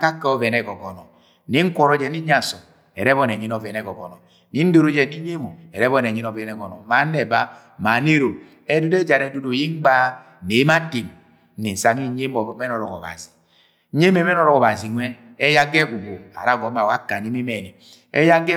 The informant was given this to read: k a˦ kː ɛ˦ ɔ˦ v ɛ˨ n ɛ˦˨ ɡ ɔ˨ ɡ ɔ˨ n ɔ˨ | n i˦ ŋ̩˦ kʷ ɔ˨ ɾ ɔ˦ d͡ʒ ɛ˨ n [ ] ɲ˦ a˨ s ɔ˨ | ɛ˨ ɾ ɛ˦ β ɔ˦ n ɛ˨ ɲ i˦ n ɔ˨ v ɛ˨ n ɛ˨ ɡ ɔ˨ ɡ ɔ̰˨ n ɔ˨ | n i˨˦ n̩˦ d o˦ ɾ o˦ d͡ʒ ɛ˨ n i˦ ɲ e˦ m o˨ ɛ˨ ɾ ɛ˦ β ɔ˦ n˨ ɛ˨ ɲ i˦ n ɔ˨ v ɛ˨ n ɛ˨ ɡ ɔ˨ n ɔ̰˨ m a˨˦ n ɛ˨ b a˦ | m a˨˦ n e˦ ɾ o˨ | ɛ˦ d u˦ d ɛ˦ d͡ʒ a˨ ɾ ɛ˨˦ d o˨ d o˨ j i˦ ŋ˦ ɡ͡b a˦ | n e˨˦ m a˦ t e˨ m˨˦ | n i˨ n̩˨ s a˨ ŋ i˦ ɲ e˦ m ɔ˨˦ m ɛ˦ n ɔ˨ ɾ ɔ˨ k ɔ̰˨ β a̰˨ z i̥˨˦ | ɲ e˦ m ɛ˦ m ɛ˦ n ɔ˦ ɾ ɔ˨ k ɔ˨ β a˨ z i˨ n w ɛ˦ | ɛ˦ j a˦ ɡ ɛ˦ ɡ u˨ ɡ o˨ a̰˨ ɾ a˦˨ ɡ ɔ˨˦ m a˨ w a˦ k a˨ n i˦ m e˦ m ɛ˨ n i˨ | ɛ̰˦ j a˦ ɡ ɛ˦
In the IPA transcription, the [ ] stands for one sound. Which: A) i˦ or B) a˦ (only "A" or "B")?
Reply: A